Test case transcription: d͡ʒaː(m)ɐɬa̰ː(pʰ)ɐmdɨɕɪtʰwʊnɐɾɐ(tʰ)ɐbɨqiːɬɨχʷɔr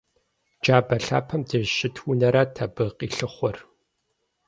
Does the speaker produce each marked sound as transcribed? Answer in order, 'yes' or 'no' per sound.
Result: no, yes, yes

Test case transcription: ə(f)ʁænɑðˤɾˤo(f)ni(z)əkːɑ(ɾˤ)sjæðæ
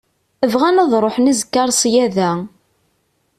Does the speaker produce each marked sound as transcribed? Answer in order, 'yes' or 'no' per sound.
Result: no, no, yes, yes

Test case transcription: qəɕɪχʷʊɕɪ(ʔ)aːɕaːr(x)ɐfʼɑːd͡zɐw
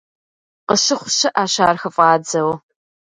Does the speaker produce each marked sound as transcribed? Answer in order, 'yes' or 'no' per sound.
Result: yes, yes

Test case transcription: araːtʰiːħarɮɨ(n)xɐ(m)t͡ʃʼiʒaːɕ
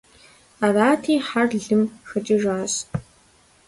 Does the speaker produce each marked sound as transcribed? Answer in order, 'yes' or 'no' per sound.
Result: no, no

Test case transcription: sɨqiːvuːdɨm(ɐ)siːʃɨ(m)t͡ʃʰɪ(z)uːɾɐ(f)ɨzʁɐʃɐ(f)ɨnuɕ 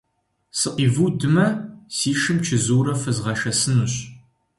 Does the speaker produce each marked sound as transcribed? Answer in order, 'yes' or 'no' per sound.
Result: yes, yes, yes, yes, no

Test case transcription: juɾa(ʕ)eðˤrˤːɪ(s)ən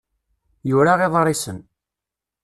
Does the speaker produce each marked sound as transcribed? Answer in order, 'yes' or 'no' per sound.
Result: no, yes

